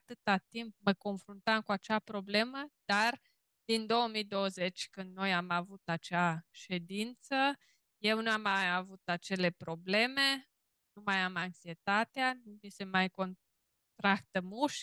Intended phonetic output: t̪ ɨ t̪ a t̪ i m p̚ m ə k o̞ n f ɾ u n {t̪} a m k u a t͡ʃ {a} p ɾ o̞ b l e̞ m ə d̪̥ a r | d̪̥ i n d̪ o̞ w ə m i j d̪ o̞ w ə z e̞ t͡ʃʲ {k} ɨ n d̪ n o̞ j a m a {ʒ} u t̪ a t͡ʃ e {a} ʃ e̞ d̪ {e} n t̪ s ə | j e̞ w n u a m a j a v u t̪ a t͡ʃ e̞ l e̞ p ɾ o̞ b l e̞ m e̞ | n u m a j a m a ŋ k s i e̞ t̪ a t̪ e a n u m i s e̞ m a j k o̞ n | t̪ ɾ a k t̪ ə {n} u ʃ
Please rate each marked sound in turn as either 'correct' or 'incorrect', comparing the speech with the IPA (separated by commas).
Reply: correct, correct, correct, incorrect, correct, incorrect, incorrect